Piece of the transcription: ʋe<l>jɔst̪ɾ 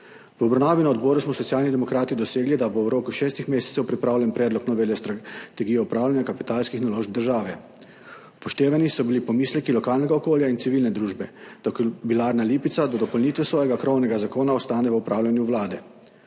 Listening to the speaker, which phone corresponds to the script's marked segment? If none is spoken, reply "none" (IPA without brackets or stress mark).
l